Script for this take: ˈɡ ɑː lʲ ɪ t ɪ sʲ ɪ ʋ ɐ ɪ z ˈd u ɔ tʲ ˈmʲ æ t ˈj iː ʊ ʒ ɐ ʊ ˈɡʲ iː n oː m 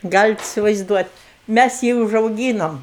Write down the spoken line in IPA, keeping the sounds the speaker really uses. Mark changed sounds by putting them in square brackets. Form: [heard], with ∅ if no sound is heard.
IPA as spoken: ˈɡ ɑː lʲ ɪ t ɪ sʲ ɪ ʋ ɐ ɪ z ˈd u ɔ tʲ ˈmʲ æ [s] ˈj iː ʊ ʒ ɐ ʊ ˈɡʲ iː n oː m